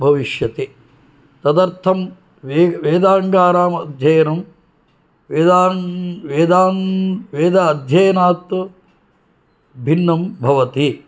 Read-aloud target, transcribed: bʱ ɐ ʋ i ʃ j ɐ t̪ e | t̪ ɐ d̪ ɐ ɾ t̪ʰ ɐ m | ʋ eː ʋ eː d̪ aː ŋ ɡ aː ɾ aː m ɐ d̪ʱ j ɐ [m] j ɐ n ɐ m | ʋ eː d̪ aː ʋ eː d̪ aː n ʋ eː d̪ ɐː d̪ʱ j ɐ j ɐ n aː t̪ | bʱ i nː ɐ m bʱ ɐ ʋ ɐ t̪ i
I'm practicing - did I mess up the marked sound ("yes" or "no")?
yes